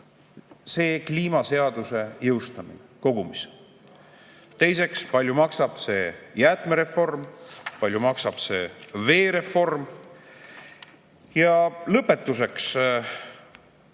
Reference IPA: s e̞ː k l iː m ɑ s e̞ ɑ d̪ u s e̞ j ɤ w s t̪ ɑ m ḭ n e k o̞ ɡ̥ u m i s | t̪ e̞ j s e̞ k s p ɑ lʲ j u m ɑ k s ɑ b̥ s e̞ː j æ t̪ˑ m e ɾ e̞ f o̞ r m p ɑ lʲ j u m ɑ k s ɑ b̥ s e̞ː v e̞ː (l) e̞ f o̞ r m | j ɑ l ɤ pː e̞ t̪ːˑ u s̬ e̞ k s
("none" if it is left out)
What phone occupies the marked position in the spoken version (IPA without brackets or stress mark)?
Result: ɾ